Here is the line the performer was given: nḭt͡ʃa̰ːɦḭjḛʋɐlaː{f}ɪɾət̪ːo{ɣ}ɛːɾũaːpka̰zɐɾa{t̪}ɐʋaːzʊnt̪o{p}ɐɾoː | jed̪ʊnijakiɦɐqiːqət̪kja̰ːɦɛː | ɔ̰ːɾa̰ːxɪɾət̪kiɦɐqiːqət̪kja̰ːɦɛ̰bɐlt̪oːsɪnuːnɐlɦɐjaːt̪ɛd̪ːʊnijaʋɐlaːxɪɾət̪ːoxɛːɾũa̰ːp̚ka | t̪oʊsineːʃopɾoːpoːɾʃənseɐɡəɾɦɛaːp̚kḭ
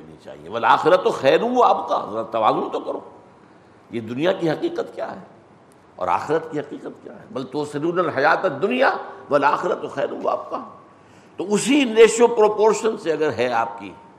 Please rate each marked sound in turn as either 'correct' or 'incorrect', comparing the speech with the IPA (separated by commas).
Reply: incorrect, incorrect, correct, incorrect